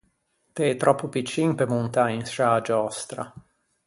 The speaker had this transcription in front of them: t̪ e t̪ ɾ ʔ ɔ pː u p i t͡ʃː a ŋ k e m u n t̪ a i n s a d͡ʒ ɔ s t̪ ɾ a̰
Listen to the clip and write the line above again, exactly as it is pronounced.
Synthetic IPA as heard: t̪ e t̪ ɾ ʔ ɔ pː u p i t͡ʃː i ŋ p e m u n t̪ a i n s a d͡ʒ ɔ s t̪ ɾ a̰